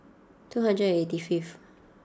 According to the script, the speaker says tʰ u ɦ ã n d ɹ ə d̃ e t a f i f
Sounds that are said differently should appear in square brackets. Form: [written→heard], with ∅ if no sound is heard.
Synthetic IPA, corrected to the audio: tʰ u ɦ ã n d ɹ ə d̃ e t [a→i] f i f